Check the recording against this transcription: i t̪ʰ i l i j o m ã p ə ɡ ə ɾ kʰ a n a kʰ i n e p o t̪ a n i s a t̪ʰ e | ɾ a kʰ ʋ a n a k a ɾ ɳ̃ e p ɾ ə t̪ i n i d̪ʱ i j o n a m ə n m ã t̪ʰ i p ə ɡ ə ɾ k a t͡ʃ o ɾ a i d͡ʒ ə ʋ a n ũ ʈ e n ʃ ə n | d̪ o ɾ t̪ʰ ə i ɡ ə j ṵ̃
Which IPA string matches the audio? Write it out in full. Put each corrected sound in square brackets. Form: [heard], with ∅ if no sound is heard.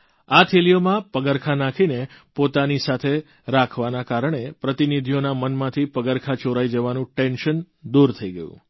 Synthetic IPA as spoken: [a] t̪ʰ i l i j o m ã p ə ɡ ə ɾ kʰ a n a kʰ i n e p o t̪ a n i s a t̪ʰ e | ɾ a kʰ ʋ a n a k a ɾ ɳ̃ e p ɾ ə t̪ i n i d̪ʱ i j o n a m ə n m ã t̪ʰ i p ə ɡ ə ɾ [kʰ] a t͡ʃ o ɾ a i d͡ʒ ə ʋ a n ũ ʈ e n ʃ ə n | d̪ [u] ɾ t̪ʰ ə i ɡ ə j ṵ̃